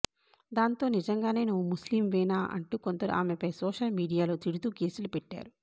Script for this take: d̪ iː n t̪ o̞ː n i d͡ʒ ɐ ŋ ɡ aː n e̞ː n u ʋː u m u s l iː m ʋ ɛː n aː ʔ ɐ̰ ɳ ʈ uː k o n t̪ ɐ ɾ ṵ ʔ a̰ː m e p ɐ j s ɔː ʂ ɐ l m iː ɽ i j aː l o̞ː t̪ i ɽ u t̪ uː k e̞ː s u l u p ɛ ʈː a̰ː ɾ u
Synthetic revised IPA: d̪ aː n t̪ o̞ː n i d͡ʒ ɐ ŋ ɡ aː n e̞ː n u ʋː u m u s l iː m ʋ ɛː n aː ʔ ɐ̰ ɳ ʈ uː k o n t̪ ɐ ɾ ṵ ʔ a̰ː m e p ɐ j s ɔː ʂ ɐ l m iː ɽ i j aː l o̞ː t̪ i ɽ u t̪ uː k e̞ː s u l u p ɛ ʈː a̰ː ɾ u